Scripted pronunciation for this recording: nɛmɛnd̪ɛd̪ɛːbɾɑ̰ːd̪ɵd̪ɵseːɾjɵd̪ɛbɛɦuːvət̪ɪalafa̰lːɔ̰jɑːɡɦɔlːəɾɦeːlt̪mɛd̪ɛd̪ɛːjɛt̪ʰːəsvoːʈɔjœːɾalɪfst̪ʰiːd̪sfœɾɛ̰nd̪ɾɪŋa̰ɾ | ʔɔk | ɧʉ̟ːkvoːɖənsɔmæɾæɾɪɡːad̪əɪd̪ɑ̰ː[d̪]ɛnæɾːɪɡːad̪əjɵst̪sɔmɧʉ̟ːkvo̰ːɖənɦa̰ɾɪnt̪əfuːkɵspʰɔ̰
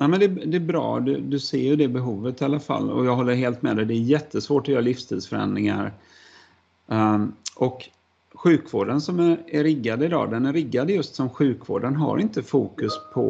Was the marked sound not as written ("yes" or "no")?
no